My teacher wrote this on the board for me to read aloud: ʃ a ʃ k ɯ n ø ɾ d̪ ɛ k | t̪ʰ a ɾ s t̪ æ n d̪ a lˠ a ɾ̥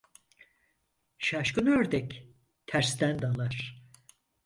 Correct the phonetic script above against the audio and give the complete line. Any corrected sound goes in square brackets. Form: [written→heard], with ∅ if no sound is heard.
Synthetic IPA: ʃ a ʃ k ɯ n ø ɾ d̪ ɛ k | t̪ʰ [a→æ] ɾ s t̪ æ n d̪ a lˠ a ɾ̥